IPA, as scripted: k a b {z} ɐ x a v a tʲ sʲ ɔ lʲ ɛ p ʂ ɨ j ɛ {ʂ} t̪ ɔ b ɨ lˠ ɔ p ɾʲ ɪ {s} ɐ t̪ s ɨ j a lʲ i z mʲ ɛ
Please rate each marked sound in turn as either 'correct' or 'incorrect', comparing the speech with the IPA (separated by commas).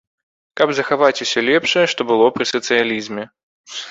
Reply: correct, correct, correct